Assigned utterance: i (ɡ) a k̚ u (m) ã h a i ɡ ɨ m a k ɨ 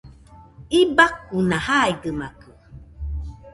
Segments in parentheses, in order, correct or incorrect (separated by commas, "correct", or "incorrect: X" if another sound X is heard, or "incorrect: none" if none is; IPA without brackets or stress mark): incorrect: b, incorrect: n